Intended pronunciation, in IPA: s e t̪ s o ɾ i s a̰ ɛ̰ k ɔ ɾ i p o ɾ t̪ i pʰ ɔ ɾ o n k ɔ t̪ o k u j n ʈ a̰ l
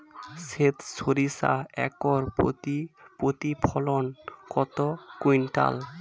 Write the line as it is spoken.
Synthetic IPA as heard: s e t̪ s o ɾ i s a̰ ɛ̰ k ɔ ɾ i p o t̪ i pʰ ɔ l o n k ɔ t̪ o k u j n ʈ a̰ l